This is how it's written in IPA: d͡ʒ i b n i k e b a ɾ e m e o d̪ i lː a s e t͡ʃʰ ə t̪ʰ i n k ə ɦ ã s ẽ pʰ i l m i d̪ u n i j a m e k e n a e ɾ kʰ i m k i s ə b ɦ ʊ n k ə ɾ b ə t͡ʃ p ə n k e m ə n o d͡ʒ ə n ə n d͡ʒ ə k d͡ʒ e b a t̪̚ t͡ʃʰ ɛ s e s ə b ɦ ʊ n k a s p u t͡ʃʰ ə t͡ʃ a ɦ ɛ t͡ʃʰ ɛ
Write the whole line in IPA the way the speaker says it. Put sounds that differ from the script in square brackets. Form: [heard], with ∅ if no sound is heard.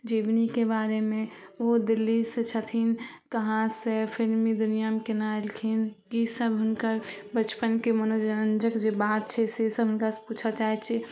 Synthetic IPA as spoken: d͡ʒ i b n i k e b a ɾ e m e o d̪ i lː [i] s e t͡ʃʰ ə t̪ʰ i n k ə ɦ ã s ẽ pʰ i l m i d̪ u n i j a m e k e n a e [l] kʰ i [n] k i s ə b ɦ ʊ n k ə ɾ b ə t͡ʃ p ə n k e m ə n o d͡ʒ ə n ə n d͡ʒ ə k d͡ʒ e b a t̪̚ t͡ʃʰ ɛ s e s ə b ɦ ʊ n k a s p u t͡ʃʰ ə t͡ʃ a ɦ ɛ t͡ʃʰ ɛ